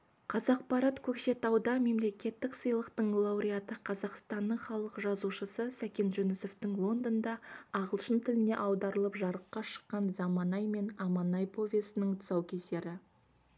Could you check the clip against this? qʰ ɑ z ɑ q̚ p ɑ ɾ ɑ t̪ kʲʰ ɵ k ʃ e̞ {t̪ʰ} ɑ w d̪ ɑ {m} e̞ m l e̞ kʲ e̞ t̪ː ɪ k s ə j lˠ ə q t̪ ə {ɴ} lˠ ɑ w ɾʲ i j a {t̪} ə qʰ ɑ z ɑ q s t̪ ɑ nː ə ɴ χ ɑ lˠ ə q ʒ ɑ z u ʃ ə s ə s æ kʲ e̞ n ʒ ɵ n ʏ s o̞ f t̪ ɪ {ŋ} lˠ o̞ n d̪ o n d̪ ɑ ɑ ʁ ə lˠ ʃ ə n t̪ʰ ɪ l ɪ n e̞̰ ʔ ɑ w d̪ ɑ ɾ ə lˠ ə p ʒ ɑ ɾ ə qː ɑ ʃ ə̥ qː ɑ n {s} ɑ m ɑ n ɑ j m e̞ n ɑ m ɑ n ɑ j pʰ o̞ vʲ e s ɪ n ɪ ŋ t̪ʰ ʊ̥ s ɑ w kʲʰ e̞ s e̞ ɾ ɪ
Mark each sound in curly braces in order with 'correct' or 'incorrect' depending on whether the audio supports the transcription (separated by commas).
incorrect, correct, correct, correct, correct, incorrect